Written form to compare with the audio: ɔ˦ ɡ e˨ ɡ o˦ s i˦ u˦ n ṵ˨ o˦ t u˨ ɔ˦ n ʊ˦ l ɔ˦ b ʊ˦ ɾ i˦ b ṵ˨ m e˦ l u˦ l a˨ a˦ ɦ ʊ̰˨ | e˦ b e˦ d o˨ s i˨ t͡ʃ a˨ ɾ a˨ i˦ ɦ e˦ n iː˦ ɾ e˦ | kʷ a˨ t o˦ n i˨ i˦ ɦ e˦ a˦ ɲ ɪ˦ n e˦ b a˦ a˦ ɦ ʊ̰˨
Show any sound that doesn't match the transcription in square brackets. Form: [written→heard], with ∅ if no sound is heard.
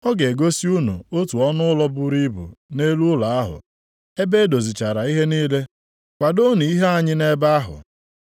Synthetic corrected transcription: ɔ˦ ɡ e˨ ɡ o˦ s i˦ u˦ n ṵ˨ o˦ t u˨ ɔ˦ n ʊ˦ l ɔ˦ b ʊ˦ ɾ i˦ b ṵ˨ [m→n] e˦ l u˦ l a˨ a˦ ɦ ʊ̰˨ | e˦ b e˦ d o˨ [s→z] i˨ t͡ʃ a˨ ɾ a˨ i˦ ɦ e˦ n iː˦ [ɾ→l] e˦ | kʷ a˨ [t→d] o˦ n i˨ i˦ ɦ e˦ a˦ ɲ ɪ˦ n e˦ b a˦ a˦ ɦ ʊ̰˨

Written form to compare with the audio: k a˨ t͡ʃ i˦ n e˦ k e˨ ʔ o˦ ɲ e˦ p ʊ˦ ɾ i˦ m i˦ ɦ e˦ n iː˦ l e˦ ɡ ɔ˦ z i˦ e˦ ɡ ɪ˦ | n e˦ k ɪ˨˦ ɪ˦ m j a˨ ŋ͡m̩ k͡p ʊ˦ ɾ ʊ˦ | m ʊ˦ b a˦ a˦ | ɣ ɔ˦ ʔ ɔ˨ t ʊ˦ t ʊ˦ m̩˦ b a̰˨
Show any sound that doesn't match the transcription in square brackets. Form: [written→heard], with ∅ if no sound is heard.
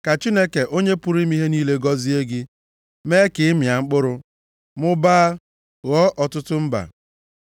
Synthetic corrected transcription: k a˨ t͡ʃ i˦ n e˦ k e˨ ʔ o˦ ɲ e˦ p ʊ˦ ɾ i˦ m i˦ ɦ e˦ n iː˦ l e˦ ɡ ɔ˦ z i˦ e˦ ɡ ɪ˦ | [n→m] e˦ k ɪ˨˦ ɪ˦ m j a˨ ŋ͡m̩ k͡p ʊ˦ ɾ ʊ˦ | m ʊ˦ b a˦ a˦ | ɣ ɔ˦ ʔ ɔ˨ t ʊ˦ t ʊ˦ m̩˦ b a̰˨

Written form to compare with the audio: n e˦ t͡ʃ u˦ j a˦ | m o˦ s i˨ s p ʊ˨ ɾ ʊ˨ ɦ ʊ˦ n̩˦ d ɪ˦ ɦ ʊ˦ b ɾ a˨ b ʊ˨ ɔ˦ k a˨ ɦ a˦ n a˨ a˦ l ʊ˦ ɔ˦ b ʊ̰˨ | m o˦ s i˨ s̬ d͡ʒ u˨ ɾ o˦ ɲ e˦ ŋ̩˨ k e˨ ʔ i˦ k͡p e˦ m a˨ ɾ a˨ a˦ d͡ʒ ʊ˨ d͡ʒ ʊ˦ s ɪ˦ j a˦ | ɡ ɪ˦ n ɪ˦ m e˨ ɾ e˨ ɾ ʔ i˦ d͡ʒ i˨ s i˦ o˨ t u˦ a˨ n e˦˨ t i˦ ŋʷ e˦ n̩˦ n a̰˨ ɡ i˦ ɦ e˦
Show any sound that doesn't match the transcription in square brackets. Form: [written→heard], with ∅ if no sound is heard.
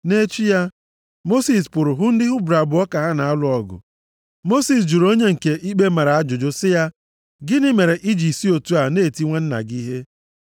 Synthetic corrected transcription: n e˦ t͡ʃ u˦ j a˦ | m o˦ s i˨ s p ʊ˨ ɾ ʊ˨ ɦ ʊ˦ n̩˦ d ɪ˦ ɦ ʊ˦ b ɾ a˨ b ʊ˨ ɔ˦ k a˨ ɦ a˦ n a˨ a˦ l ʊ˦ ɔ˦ [b→ɡ] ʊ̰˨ | m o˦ s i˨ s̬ d͡ʒ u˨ ɾ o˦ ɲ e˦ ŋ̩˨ k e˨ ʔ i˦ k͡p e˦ m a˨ ɾ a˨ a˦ d͡ʒ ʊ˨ d͡ʒ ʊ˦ s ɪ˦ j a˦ | ɡ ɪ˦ n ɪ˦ m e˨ ɾ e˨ [ɾ→∅] ʔ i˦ d͡ʒ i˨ s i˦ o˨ t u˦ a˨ n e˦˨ t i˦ ŋʷ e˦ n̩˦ n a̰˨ ɡ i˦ ɦ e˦

